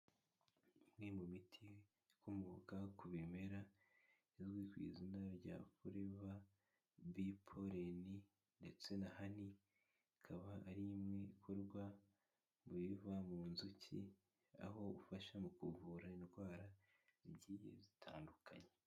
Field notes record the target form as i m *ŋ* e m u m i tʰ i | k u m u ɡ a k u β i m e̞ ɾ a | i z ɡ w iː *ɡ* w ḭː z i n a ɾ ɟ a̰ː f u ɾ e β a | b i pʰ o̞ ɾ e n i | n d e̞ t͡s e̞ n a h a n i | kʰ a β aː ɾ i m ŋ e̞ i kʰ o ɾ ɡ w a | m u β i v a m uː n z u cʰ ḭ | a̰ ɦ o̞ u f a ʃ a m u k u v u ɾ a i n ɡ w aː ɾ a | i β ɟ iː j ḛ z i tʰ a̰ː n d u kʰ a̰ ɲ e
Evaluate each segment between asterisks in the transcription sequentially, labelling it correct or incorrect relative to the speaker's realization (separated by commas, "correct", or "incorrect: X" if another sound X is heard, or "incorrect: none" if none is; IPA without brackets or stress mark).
correct, incorrect: k